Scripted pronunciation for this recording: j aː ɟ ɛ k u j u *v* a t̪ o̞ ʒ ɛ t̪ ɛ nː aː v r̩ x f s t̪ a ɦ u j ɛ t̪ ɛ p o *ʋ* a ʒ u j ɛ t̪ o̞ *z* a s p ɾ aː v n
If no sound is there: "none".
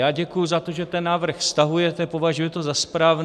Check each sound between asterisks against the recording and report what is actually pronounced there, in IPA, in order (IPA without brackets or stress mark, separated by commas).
z, v, z